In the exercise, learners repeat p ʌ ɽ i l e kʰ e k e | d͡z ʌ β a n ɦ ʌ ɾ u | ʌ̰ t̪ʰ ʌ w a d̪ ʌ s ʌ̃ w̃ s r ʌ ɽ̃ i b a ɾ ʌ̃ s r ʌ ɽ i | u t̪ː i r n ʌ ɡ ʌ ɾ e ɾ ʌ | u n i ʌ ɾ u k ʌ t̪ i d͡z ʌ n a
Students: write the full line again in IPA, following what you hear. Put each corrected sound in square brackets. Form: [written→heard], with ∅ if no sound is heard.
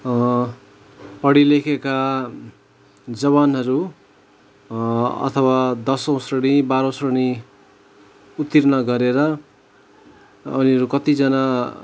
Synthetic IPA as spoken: p ʌ ɽ i l e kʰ e k [e→a] | d͡z ʌ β a n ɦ ʌ ɾ u | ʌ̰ t̪ʰ ʌ w a d̪ ʌ s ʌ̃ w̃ s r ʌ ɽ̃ i b a ɾ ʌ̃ s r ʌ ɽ i | u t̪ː i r n ʌ ɡ ʌ ɾ e ɾ ʌ | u n i ʌ ɾ u k ʌ t̪ i d͡z ʌ n a